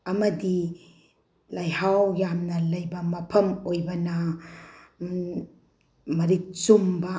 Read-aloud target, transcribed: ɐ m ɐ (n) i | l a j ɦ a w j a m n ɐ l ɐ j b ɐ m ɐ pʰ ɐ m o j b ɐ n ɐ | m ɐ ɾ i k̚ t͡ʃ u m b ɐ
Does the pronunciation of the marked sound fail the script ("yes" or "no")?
yes